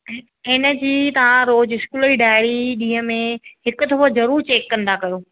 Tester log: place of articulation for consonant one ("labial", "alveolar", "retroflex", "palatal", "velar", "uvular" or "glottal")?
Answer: alveolar